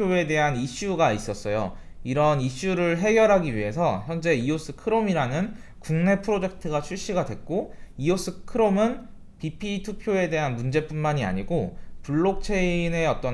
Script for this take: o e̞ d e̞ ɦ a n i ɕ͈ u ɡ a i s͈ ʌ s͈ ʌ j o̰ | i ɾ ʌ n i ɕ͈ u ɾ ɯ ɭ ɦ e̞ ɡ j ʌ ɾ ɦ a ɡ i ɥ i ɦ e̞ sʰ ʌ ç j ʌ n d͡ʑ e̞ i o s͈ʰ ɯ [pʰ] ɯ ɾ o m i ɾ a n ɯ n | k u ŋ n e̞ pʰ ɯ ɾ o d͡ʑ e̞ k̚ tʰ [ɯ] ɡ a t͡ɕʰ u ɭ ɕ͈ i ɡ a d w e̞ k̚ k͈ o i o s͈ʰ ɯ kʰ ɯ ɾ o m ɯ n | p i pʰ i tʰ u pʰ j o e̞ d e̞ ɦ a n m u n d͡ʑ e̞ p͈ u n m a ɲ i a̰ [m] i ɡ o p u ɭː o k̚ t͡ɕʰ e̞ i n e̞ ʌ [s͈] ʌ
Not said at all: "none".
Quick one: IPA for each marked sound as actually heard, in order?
kʰ, ɯ, ɲ, t͈

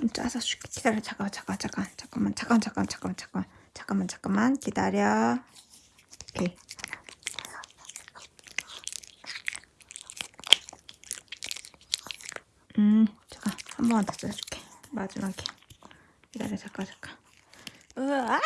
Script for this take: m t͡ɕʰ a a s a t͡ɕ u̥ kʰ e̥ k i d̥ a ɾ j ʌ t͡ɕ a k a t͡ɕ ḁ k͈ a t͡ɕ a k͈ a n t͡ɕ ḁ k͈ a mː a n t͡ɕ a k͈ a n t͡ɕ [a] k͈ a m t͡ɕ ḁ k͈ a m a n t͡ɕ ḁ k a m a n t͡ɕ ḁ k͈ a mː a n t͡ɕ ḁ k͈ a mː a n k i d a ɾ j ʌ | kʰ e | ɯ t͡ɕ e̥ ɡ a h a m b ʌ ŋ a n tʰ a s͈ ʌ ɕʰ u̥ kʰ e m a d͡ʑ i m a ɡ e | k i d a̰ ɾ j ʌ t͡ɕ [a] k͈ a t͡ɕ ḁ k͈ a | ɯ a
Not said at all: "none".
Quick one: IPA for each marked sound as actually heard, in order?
a, a

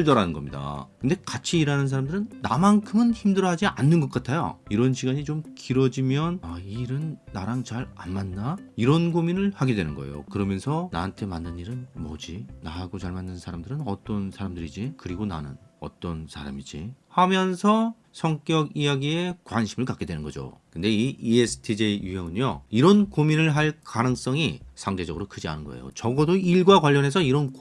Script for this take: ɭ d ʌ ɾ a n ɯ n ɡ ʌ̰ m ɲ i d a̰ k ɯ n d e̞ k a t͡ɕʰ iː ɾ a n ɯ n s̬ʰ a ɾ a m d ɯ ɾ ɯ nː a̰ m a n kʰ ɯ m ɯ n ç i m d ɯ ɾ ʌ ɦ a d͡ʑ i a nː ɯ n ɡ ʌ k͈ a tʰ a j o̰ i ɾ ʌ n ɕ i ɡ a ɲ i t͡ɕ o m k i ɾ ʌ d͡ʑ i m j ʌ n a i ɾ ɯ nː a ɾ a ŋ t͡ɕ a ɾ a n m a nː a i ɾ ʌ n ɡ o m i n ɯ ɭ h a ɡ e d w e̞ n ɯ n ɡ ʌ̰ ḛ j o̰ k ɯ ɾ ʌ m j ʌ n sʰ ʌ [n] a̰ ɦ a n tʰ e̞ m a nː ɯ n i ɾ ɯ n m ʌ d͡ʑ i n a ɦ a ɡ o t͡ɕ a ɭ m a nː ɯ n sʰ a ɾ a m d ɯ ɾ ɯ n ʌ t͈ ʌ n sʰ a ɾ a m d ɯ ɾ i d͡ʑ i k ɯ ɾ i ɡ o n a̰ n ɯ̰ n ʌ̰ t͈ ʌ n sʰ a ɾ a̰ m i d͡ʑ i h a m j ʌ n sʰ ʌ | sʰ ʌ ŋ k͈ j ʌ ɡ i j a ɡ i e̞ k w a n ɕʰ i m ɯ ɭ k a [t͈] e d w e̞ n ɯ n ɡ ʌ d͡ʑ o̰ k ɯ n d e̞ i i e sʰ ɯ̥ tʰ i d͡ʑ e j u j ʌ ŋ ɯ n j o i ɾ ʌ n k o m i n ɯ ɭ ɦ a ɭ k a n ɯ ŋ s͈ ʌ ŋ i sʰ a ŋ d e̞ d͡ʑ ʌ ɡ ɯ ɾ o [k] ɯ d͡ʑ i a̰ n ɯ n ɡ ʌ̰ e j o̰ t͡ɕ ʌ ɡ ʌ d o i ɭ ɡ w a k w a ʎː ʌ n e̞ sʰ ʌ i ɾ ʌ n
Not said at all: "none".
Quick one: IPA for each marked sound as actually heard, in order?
n, k͈, kʰ

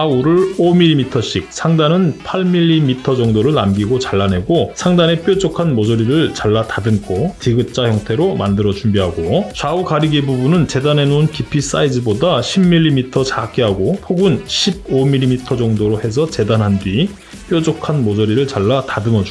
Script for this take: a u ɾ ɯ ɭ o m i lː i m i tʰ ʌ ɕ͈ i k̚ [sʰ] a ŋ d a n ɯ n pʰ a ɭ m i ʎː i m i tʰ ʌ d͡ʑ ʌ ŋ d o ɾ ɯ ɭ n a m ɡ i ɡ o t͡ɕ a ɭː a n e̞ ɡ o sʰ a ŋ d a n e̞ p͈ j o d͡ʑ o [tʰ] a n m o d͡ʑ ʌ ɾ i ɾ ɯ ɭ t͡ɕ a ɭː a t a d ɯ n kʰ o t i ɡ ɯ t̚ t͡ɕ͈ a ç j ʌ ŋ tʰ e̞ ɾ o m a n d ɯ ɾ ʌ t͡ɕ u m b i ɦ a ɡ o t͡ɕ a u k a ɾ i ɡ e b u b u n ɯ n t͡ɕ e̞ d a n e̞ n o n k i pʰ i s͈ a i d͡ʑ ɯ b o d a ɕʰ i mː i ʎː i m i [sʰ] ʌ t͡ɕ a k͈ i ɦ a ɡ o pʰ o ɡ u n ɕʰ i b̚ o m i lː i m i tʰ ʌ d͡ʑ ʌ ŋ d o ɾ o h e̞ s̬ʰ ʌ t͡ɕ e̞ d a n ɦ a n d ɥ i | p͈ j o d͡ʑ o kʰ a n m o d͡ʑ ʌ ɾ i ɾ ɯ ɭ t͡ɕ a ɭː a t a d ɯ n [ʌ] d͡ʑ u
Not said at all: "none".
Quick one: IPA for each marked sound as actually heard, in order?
sʰ, kʰ, tʰ, ʌ

